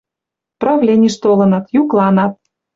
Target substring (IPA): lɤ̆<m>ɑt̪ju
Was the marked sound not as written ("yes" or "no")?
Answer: yes